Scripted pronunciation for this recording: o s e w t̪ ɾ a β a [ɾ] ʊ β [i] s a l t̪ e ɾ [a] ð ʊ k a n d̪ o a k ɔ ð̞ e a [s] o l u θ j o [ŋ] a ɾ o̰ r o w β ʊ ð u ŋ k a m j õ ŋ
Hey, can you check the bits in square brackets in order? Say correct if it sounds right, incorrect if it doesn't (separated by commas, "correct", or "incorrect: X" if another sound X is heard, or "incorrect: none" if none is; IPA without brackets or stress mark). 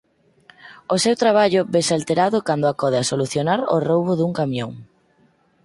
incorrect: ʎ, incorrect: e, correct, correct, incorrect: n